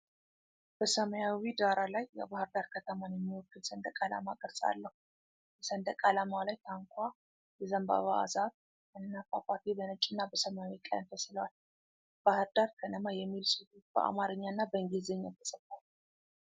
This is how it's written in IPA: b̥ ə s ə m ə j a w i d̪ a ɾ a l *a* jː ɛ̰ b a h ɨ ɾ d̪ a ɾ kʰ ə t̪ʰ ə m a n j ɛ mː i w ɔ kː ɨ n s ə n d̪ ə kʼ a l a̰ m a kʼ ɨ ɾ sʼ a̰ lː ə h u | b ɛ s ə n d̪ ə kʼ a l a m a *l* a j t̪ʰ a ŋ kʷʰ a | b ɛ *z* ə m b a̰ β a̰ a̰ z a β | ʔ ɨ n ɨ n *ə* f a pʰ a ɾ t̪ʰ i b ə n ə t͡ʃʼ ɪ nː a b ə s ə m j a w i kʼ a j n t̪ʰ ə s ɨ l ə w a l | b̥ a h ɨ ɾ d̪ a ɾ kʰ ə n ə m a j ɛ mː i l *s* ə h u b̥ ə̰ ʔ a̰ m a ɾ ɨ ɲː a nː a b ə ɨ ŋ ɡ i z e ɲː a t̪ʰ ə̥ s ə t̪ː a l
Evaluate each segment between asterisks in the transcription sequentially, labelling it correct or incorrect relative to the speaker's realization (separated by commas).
correct, correct, correct, incorrect, correct